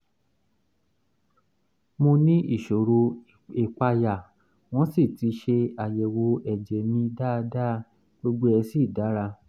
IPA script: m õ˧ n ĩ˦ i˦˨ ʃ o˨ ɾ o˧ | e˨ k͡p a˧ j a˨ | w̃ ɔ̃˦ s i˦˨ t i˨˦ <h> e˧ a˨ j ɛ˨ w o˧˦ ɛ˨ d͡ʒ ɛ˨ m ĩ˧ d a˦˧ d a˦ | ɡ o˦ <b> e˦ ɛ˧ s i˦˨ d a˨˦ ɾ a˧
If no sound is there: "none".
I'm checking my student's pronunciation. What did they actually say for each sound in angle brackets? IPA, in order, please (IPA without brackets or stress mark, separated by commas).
ʃ, ɡ͡b